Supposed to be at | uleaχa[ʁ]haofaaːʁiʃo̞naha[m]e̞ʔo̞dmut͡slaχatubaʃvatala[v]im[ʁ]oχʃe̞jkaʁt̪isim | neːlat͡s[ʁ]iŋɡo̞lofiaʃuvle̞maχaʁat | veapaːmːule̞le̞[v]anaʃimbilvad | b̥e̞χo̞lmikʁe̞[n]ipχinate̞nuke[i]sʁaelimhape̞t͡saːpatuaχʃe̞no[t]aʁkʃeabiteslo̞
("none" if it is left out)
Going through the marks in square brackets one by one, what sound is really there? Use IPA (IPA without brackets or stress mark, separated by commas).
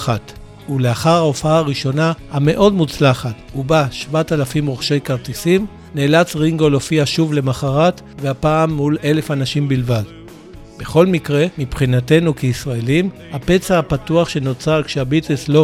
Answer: ʁ, m, f, ʁ, ʁ, f, m, i, t͡s